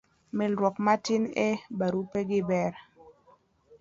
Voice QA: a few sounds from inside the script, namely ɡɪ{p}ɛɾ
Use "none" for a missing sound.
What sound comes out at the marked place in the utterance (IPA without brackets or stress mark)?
b